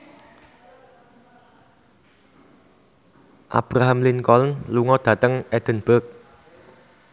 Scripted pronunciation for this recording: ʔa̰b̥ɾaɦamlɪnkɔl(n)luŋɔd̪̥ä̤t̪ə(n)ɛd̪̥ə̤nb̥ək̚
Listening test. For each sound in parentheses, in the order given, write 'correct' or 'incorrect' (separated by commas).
correct, incorrect